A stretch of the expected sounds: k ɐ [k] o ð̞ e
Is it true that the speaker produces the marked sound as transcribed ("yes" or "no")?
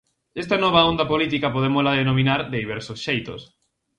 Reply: no